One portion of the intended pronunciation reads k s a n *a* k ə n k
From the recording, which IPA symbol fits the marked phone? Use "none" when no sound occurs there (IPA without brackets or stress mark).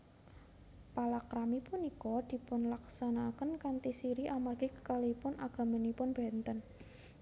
a